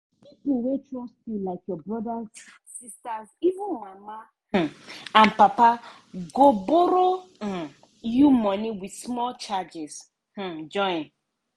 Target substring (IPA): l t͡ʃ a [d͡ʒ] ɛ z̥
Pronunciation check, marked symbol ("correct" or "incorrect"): correct